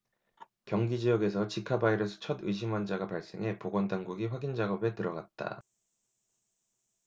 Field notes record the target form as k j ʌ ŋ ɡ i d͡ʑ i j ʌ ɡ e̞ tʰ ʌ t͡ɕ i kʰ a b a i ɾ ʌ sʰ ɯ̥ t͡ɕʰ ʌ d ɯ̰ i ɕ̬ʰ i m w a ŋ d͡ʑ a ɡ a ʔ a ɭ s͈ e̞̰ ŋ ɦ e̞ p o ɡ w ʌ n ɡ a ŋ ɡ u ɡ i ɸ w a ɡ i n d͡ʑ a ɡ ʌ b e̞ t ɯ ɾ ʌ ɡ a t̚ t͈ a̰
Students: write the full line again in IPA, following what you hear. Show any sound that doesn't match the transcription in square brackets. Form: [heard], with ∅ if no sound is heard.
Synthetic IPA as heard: k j ʌ ŋ ɡ i d͡ʑ i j ʌ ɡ e̞ [sʰ] ʌ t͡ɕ i kʰ a b a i ɾ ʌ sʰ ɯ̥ t͡ɕʰ ʌ d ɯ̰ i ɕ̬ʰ i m w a [n] d͡ʑ a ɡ a [p] a ɭ s͈ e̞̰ ŋ ɦ e̞ p o ɡ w ʌ n [d] a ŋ ɡ u ɡ i ɸ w a ɡ i n d͡ʑ a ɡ ʌ b e̞ t ɯ ɾ ʌ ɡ a t̚ t͈ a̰